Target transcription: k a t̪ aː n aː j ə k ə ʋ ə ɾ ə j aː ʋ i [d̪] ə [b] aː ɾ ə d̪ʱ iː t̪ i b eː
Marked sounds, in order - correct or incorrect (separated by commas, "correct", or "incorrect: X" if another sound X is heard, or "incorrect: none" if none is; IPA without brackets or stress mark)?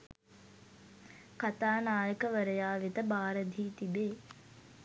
incorrect: t̪, correct